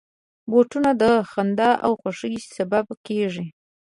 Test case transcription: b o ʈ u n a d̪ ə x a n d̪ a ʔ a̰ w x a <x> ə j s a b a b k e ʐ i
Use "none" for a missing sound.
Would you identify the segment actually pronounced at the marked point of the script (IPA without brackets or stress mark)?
ʂ